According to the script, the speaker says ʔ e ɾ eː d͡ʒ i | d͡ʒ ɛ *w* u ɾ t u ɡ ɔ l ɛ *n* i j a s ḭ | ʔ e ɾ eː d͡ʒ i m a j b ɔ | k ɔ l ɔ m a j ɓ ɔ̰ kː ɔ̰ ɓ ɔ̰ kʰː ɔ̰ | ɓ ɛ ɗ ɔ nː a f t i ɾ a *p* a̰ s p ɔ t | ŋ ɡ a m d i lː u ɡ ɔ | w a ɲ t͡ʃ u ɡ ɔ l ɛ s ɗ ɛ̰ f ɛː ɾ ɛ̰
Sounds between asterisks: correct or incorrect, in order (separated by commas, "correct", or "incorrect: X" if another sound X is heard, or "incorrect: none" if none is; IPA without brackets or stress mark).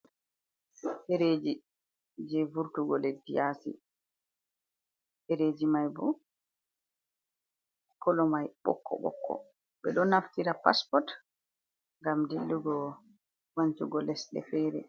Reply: incorrect: v, incorrect: d, correct